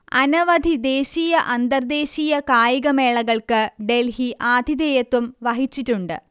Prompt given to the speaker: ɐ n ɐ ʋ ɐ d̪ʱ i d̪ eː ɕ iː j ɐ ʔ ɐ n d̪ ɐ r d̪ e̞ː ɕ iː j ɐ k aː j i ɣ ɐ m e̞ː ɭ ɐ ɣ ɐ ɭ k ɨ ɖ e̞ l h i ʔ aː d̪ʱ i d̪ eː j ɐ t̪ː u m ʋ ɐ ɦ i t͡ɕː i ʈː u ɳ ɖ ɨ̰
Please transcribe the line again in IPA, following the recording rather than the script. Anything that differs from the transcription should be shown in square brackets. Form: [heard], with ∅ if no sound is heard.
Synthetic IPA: ɐ n ɐ ʋ ɐ d̪ʱ i d̪ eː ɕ iː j ɐ ʔ ɐ n d̪ ɐ r d̪ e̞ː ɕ iː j ɐ k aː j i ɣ ɐ m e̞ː ɭ ɐ ɣ ɐ ɭ k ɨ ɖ e̞ l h i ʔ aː d̪ʱ i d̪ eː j ɐ t̪ː u m ʋ ɐ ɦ i t͡ɕː i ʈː u ɳ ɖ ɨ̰